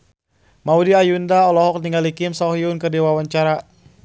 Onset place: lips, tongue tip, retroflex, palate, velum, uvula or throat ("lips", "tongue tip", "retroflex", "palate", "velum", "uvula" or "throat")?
lips